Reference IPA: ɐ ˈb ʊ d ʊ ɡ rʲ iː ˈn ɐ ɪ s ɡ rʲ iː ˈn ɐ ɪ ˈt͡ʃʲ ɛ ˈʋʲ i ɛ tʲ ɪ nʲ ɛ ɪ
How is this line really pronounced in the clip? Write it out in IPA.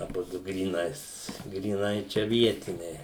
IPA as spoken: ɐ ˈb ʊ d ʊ ɡ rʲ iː ˈn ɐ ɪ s ɡ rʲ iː ˈn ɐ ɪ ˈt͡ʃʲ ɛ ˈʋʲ i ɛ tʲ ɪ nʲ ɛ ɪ

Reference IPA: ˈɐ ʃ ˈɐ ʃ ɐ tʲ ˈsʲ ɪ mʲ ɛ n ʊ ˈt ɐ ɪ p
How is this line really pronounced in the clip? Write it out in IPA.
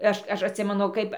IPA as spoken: ˈɐ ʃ ˈɐ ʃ ɐ tʲ ˈsʲ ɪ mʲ ɛ n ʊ ˈk ɐ ɪ p

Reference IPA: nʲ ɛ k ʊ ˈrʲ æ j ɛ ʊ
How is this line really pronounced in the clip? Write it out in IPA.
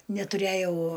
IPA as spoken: nʲ ɛ t ʊ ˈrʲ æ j ɛ ʊ

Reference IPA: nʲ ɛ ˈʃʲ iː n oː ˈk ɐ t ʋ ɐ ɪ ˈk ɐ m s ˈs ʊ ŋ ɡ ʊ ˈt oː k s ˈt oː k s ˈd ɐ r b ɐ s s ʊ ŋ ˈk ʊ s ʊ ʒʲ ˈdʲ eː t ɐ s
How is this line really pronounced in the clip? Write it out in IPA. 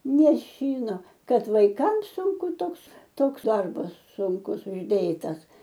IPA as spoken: nʲ ɛ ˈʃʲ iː n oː ˈk ɐ t ʋ ɐ ɪ ˈk ɐ m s ˈs ʊ ŋ k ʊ ˈt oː k s ˈt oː k s ˈd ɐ r b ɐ s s ʊ ŋ ˈk ʊ s ʊ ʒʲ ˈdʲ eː t ɐ s

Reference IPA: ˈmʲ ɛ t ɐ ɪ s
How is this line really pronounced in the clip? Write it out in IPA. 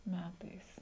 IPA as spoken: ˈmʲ æ t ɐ ɪ s

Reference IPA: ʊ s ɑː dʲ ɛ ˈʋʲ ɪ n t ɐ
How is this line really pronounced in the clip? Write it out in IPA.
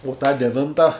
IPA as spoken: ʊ t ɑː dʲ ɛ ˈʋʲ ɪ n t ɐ

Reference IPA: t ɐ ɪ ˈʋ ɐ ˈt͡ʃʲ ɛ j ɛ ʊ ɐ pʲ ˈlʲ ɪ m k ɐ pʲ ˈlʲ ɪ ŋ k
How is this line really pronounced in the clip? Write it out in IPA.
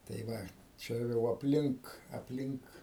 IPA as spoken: t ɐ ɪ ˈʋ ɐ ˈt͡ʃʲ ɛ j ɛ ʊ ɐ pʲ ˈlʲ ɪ ŋ k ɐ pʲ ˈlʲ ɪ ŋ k

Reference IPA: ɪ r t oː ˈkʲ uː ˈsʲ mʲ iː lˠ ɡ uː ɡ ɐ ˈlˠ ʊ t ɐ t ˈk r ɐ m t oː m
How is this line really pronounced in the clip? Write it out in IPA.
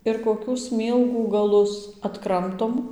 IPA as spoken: ɪ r k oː ˈkʲ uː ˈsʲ mʲ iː lˠ ɡ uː ɡ ɐ ˈlˠ ʊ s ɐ t ˈk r ɐ m t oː m

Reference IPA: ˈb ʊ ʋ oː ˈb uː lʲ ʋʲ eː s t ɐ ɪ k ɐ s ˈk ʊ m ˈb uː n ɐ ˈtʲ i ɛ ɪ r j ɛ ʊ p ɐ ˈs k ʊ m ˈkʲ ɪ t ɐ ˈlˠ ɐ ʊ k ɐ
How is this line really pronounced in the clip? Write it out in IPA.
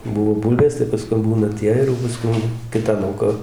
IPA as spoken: ˈb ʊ ʋ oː ˈb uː lʲ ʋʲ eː s t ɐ ɪ p ɐ s ˈk ʊ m ˈb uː n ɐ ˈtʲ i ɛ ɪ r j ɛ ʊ p ɐ ˈs k ʊ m ˈkʲ ɪ t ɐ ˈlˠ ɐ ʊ k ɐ

